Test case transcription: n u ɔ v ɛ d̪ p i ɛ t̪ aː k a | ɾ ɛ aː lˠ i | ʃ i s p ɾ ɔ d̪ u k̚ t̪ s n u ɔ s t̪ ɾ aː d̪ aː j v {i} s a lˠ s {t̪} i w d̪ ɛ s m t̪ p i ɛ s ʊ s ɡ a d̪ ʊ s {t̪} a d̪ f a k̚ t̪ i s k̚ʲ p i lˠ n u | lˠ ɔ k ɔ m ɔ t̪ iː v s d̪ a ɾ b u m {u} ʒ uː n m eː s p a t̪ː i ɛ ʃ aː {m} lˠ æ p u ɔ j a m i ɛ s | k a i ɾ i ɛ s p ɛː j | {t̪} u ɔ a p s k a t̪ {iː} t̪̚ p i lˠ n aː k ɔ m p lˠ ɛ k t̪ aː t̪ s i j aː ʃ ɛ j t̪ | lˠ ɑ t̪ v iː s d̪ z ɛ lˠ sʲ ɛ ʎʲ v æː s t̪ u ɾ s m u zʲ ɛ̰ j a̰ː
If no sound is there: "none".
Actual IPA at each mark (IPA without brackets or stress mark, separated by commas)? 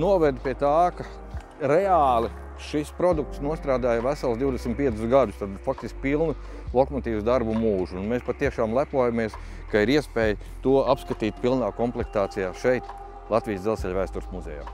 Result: æ, d̪, t̪, uː, m, t̪, iː